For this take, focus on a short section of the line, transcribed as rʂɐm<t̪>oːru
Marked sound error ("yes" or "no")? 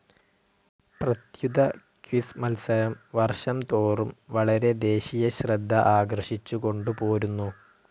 no